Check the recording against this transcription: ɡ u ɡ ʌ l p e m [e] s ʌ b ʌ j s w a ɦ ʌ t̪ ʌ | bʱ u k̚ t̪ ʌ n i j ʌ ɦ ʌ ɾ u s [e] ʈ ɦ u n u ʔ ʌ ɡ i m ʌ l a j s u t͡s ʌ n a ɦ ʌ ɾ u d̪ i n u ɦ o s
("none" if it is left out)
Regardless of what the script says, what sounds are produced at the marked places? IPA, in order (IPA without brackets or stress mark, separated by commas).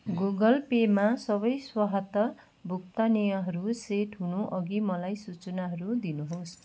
a, e